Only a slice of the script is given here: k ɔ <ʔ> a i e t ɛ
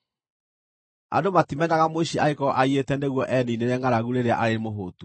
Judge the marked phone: correct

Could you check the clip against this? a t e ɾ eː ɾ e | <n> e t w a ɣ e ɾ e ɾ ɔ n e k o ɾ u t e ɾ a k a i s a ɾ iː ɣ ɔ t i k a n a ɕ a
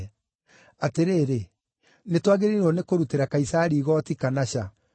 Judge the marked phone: correct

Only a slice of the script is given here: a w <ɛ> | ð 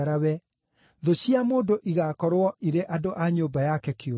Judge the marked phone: correct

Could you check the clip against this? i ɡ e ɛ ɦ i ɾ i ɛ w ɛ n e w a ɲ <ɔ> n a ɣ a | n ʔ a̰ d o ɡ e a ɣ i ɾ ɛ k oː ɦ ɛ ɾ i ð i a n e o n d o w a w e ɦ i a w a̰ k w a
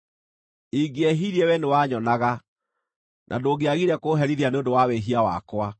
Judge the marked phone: correct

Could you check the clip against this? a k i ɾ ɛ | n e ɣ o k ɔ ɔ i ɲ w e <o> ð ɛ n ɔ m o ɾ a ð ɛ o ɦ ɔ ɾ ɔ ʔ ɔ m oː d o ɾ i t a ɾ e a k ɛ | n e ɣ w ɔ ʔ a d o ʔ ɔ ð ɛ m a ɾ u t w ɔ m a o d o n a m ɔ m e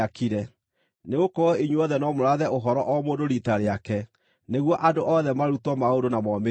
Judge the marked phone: incorrect: ɔ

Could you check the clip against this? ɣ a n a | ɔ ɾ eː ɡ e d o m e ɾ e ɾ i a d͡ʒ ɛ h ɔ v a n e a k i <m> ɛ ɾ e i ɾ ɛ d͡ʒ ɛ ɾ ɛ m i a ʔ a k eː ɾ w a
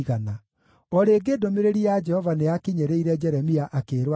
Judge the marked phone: incorrect: ɲ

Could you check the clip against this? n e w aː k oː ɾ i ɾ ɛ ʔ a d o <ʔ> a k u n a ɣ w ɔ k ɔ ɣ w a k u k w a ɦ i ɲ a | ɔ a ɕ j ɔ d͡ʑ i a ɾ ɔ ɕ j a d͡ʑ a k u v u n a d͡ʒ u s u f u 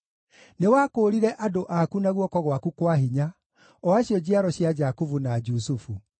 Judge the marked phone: correct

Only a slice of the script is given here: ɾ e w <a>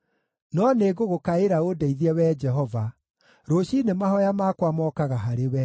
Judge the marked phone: incorrect: ɛ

